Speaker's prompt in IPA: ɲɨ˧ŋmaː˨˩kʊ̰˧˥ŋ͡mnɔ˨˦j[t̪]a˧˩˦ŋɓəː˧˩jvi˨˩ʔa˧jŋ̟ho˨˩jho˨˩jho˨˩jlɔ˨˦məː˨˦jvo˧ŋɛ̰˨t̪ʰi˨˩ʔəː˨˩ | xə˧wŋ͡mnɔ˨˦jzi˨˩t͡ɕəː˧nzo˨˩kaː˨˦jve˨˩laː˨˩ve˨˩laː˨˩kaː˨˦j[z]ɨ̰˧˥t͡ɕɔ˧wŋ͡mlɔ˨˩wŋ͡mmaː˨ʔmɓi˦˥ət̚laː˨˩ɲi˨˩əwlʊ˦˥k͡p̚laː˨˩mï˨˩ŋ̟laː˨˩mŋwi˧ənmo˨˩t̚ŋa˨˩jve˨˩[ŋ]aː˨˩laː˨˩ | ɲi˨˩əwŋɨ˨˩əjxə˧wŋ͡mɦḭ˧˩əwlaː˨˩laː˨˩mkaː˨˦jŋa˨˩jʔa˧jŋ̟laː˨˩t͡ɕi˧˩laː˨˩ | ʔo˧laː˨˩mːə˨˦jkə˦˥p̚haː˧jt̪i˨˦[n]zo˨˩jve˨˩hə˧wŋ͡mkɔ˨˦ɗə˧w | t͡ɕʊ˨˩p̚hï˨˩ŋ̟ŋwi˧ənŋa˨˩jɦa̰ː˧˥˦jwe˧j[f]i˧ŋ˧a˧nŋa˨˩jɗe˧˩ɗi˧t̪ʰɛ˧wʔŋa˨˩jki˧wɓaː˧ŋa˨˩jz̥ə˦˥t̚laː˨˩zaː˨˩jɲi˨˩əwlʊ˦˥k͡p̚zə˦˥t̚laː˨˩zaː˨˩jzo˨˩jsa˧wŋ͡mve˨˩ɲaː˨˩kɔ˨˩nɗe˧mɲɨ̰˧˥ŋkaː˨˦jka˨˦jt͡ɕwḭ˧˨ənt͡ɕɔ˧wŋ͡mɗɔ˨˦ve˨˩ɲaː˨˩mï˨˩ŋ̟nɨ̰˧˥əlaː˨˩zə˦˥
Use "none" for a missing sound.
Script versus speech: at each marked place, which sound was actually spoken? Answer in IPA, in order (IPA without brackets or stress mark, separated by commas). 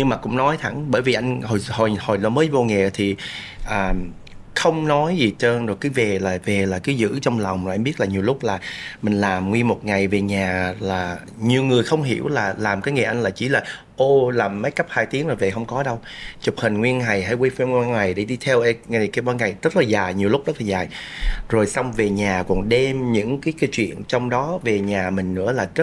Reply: t̪ʰ, z, ɲ, ŋ, f